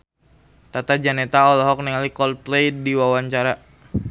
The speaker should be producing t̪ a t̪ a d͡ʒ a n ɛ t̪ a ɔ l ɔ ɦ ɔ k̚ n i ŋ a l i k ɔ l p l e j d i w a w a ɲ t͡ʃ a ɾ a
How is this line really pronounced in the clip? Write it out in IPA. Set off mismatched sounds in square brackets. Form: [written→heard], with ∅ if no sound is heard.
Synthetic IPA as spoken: t̪ a t̪ a d͡ʒ a n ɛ t̪ a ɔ l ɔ ɦ ɔ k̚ n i ŋ a l i k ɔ l p l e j d i w a w a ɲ t͡ʃ a ɾ a